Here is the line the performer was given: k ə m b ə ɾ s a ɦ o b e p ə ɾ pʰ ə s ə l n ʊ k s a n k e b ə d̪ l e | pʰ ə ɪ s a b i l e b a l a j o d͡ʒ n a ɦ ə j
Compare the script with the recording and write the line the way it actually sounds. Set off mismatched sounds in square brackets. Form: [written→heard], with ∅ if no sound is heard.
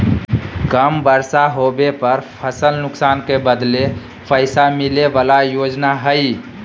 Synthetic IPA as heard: k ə m b ə ɾ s a ɦ o b e p ə ɾ pʰ ə s ə l n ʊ k s a n k e b ə d̪ l e | pʰ ə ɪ s a [b→m] i l e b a l a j o d͡ʒ n a ɦ ə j